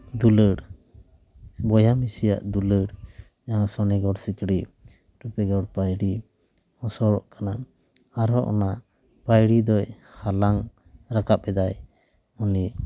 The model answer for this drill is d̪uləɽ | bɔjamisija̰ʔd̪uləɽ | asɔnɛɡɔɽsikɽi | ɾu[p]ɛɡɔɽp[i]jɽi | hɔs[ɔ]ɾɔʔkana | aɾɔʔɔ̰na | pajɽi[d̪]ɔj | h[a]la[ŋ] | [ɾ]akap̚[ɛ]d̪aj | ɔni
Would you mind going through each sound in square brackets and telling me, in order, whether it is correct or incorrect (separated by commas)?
correct, incorrect, correct, correct, correct, correct, correct, correct